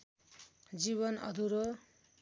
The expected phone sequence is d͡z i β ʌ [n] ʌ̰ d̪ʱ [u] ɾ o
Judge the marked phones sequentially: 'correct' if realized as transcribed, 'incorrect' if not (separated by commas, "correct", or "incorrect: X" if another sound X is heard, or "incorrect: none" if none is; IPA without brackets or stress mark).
correct, correct